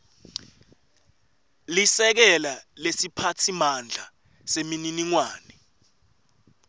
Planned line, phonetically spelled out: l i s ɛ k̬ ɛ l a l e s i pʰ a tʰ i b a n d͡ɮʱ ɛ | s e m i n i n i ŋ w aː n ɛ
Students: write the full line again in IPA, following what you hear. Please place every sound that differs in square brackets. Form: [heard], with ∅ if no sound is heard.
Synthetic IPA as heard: l i s ɛ k̬ ɛ l a l e s i pʰ a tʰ i [m] a n d͡ɮʱ [a] | s e m i n i n i ŋ w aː n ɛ